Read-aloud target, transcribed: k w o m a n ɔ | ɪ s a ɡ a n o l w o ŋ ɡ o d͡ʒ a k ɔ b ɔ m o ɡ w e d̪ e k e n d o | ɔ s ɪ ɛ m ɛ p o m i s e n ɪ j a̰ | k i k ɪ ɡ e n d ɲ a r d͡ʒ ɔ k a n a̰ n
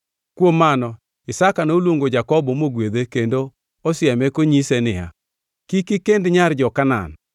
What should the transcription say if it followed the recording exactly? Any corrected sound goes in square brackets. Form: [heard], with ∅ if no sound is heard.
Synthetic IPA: k w o m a n ɔ | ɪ s a [k] a n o l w o ŋ ɡ o d͡ʒ a k ɔ b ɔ m o ɡ w e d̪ e k e n d o | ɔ s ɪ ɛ m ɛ [k] o [ɲ] i s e n ɪ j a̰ | k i k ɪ [k] e n d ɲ a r d͡ʒ ɔ k a n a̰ n